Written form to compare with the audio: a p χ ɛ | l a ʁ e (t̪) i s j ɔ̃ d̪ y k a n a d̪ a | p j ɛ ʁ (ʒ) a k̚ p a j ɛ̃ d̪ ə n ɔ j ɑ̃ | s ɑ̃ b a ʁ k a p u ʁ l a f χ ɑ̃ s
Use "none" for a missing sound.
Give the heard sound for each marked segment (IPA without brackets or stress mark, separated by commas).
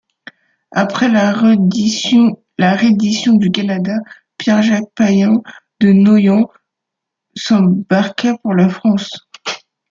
d̪, ʒ